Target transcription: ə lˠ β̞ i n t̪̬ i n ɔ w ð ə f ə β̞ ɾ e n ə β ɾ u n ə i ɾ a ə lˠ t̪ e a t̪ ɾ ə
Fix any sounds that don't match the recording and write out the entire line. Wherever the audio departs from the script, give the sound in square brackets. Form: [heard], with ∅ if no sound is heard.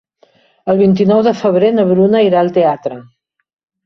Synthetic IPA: ə lˠ β̞ i n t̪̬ i n ɔ w ð ə f ə β̞ ɾ e n ə β ɾ u n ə i ɾ a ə lˠ t̪ e a t̪ ɾ ə